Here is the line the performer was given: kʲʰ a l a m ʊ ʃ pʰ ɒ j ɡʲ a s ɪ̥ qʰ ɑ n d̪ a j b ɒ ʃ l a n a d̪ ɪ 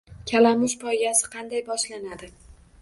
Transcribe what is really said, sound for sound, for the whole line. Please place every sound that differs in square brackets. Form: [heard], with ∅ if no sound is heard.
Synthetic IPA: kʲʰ a l a m ʊ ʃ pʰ ɒ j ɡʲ a s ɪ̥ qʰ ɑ n d̪ a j b ɒ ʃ l a n a d̪ ɪ